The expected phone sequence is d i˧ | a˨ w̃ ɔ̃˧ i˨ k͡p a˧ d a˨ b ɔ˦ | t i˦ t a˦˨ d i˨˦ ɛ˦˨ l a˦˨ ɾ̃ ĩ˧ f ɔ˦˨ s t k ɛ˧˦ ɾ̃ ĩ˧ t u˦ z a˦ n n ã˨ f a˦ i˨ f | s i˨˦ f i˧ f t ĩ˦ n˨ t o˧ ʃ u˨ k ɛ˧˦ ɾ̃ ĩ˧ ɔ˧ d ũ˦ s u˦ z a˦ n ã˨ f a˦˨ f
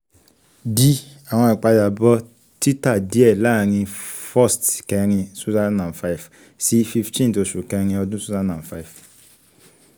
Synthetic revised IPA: d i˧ | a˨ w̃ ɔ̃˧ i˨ k͡p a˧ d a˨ b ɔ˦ | t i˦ t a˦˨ d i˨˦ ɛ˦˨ l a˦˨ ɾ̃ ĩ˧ f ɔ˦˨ s t k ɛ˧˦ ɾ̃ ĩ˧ s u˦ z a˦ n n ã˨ f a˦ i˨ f | s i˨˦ f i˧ f t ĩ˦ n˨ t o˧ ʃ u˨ k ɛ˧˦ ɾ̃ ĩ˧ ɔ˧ d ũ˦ s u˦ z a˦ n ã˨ f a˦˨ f